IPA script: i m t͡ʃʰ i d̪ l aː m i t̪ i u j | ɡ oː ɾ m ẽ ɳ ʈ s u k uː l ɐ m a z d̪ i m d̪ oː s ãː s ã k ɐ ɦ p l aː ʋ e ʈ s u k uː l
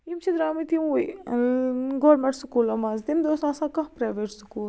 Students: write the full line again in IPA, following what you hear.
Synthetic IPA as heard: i m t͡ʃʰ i d̪ ɾ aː m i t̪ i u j | ɡ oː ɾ m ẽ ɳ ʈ s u k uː l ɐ m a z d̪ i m d̪ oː s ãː s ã k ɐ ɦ p ɾ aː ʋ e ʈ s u k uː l